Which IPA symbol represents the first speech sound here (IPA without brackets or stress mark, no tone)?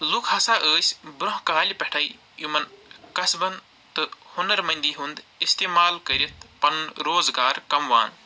l